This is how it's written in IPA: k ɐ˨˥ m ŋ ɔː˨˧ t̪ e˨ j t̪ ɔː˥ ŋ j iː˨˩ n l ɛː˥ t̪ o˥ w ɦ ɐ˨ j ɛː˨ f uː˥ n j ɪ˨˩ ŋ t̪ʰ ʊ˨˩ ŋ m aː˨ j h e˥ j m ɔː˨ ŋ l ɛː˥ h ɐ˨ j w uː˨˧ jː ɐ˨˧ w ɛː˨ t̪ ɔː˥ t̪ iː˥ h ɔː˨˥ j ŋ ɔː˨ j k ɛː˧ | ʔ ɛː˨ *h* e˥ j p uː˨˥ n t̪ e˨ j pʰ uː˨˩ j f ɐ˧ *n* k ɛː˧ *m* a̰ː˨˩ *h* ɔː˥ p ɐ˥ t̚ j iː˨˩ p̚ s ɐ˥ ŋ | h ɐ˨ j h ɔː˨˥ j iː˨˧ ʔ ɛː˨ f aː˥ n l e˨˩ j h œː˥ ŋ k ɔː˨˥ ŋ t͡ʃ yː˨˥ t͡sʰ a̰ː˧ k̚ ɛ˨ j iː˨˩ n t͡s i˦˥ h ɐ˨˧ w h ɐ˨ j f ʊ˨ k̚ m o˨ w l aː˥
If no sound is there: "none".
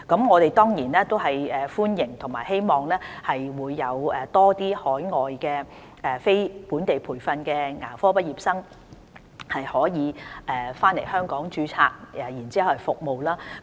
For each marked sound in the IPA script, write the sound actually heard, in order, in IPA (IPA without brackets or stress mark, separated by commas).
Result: f, n, ŋ, f